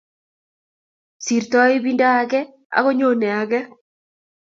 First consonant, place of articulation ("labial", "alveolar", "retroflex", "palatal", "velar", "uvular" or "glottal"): alveolar